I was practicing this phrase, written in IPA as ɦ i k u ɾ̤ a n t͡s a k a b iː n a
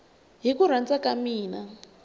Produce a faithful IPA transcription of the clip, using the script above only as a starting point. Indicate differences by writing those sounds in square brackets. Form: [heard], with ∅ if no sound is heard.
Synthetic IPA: ɦ i k u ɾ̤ a n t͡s a k a [m] iː n a

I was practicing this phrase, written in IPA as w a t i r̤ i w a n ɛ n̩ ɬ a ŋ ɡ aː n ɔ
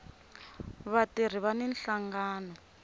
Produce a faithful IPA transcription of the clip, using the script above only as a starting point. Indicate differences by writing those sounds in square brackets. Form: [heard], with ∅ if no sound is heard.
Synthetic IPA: [β] a t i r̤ i [β] a n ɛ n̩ ɬ a ŋ ɡ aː n ɔ

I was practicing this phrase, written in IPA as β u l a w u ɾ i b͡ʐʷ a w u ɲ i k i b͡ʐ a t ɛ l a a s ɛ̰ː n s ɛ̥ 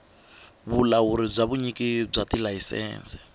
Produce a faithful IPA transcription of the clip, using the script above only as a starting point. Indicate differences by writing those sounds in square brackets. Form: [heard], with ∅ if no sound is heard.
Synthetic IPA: β u l a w u ɾ i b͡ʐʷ a [β] u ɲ i k i b͡ʐ a t [i] l a [i] s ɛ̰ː n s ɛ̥

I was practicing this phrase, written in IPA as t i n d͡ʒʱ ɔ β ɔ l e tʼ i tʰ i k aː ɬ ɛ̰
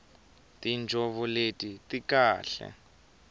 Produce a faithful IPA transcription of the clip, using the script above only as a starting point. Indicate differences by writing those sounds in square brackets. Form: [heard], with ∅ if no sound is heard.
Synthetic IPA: t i n d͡ʒʱ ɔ β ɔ l e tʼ i [t] i k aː ɬ ɛ̰

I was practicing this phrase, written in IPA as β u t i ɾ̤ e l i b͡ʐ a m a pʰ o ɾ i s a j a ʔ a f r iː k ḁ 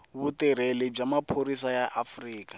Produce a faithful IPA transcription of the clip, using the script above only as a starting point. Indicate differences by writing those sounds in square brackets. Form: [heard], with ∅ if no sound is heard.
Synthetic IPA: β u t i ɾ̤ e l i b͡ʐ a m a pʰ o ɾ i s a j a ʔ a f r iː k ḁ

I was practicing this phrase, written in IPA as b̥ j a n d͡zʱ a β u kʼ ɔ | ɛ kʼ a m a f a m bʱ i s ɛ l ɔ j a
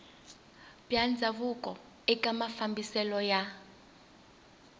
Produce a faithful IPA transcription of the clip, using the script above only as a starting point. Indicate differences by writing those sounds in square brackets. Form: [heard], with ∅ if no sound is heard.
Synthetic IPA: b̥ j a n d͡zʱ a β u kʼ ɔ | ɛ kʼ a m a f a m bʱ i s ɛ l ɔ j a

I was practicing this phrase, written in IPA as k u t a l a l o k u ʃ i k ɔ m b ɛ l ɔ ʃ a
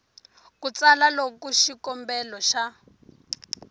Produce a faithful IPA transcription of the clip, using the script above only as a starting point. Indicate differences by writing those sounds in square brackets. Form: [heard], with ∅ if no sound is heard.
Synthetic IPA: k u [t͡s] a l a l o k u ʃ i k ɔ m b ɛ l ɔ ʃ a

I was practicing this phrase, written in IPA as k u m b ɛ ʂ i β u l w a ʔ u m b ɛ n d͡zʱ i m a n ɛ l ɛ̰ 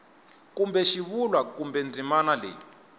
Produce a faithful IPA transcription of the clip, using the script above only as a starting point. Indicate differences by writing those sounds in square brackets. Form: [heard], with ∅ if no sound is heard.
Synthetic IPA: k u m b ɛ [ʃ] i β u l w a [k] u m b ɛ n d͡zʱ i m a n [a] l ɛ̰

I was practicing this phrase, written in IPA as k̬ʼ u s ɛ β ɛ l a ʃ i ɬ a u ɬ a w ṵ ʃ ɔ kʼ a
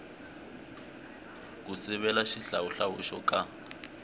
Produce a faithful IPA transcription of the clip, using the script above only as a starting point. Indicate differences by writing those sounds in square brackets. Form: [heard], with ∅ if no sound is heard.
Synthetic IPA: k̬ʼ u s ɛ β ɛ l a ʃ i ɬ a u ɬ a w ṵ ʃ ɔ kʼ a

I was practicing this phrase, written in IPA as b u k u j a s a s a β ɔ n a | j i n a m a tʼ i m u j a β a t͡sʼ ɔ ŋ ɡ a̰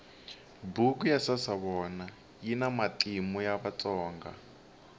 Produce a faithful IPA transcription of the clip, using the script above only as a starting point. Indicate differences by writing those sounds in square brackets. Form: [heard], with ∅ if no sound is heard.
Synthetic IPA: b u k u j a s a s a β ɔ n a | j i n a m a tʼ i m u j a β a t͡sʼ [ɔː] ŋ ɡ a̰

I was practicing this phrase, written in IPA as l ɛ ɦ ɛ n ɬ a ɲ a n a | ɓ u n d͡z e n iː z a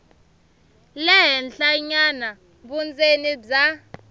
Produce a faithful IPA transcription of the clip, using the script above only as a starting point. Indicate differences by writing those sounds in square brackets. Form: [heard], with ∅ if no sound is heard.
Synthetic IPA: l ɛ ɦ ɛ n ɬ a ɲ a n a | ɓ u n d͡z e n [i] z a

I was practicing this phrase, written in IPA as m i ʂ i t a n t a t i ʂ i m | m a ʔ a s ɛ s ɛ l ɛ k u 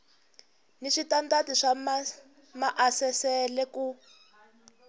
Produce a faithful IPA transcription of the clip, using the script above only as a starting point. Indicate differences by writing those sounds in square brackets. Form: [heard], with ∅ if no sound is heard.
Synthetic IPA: [n] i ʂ i t a n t a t i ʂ [a] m | m a ʔ a s ɛ s ɛ l ɛ k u

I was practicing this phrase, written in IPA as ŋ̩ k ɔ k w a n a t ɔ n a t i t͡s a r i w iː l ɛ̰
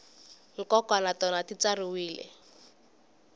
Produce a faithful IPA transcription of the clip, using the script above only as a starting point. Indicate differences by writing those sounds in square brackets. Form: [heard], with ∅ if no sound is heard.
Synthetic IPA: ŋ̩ k ɔ k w a n a t ɔ n a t i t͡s a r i w iː l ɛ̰

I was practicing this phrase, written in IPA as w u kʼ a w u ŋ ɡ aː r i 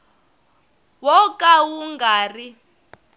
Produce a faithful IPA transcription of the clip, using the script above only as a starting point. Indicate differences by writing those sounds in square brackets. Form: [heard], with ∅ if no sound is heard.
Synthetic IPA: w [ɔ] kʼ a w u ŋ ɡ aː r i

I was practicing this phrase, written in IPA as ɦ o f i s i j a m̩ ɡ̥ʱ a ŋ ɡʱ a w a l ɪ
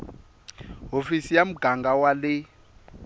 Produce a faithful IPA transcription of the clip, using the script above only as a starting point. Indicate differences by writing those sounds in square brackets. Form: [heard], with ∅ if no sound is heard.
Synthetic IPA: ɦ o f i s i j a m̩ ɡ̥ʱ a ŋ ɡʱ a w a l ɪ

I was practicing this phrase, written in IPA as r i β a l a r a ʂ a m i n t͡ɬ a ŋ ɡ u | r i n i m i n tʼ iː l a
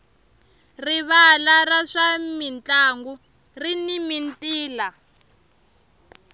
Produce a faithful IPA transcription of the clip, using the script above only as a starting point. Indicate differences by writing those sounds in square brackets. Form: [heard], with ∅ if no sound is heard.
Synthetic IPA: r i β a l a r a ʂ a m i n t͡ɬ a ŋ ɡ u | r i n i m i n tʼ iː l a

